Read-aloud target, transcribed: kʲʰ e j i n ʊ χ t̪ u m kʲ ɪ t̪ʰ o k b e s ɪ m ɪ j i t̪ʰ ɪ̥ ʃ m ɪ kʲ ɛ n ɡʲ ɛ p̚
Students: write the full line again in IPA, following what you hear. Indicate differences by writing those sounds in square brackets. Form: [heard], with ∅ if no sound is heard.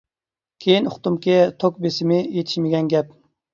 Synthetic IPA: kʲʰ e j i n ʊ χ t̪ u m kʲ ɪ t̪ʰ o k b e s ɪ m ɪ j [e] t̪ʰ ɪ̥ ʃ m ɪ [ɡʲ] ɛ n ɡʲ ɛ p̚